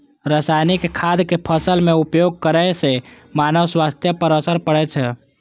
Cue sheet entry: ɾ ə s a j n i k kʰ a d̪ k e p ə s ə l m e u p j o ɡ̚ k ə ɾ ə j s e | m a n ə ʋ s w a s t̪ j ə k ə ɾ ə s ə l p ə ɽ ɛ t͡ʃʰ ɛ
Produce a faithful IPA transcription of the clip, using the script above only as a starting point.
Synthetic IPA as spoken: ɾ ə s a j n i k kʰ a d̪ k e pʰ ə s ə l m e u p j o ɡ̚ k ə ɾ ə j s e | m a n ə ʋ s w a s t̪ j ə p ə ɾ ə s ə ɾ p ə ɽ ɛ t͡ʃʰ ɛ